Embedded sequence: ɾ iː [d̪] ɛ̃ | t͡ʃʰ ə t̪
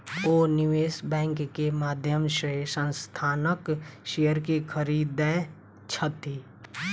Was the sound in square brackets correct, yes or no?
yes